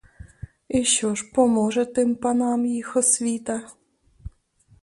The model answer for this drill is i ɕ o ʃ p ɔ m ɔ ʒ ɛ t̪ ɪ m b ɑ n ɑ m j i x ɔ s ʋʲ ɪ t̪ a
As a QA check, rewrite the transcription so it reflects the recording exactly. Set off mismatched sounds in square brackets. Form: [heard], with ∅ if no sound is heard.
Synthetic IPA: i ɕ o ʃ p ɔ m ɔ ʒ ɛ t̪ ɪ m [p] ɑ n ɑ m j i x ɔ s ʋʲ [i] t̪ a